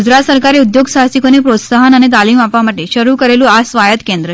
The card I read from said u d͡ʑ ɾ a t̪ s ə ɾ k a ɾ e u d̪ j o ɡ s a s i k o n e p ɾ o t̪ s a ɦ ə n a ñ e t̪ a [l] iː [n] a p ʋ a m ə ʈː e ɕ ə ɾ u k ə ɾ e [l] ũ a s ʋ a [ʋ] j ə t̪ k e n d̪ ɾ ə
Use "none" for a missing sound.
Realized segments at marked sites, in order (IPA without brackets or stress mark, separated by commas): l, m, l, none